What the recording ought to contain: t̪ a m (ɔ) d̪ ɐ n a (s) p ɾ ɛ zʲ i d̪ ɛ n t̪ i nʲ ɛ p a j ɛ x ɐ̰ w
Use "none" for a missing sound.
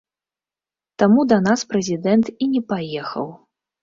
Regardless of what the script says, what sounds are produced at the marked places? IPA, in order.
u, s

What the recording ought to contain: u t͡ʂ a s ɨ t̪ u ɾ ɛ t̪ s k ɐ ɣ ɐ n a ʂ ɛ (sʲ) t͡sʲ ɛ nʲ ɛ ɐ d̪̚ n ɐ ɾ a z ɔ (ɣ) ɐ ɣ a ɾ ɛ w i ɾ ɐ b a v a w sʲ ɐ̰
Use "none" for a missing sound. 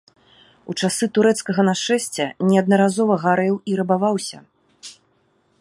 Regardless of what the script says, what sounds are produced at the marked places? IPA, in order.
sʲ, v

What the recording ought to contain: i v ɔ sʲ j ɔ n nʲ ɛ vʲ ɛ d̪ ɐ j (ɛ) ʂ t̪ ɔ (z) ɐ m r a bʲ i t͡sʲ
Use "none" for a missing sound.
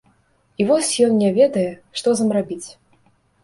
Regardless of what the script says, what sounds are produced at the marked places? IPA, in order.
ɛ, z

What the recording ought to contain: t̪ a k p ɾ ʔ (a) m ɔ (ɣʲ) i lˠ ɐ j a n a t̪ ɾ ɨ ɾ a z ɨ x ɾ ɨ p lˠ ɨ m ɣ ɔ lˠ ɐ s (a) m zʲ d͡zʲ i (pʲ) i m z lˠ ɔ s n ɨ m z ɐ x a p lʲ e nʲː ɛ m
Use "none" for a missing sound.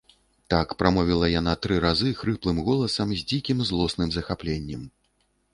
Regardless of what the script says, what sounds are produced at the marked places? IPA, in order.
a, vʲ, ɐ, kʲ

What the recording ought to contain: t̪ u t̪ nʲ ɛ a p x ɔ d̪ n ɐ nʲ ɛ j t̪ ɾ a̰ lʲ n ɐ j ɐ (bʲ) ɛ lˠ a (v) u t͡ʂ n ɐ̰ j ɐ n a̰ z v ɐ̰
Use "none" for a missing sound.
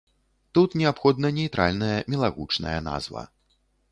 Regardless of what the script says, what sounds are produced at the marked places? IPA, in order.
mʲ, ɣ

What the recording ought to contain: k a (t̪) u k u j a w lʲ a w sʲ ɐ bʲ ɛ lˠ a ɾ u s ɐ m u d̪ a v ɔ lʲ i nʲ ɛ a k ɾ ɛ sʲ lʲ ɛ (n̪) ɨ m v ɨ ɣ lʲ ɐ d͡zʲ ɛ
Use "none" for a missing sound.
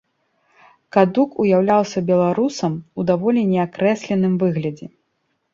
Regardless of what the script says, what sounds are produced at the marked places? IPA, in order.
d̪, n̪

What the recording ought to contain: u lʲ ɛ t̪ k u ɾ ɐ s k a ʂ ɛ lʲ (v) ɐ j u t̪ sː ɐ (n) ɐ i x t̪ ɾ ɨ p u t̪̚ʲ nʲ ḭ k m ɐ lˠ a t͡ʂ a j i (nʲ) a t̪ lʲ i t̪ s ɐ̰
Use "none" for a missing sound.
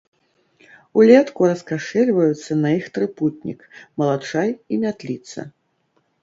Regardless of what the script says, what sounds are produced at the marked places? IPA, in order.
v, n, mʲ

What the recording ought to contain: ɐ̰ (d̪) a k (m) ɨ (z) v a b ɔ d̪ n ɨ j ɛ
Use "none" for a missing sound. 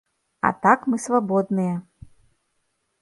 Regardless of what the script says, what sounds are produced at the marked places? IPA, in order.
t̪, m, s

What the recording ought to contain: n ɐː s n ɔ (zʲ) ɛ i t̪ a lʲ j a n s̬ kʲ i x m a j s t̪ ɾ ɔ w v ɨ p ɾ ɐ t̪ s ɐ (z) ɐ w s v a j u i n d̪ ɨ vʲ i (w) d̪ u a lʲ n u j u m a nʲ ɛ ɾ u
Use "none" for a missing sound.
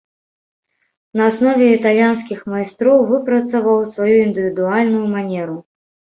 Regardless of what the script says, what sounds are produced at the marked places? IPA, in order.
vʲ, v, none

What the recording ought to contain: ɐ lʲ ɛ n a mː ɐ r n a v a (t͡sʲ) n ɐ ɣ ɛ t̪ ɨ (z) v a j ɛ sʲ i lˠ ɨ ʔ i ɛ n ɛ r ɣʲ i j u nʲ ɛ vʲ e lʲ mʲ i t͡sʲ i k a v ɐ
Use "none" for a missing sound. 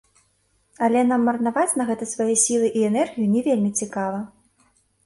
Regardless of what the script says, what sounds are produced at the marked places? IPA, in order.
t͡sʲ, s

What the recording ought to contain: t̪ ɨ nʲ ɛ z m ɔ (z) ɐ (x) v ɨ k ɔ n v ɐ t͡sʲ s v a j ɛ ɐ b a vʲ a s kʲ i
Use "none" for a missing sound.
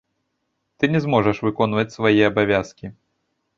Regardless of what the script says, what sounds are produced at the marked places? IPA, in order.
ʐ, ʂ

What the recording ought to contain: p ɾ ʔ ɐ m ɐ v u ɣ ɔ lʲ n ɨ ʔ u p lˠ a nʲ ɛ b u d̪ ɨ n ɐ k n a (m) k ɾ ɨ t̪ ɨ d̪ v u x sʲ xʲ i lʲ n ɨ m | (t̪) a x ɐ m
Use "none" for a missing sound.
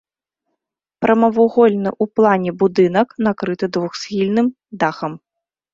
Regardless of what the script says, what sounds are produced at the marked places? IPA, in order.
none, d̪

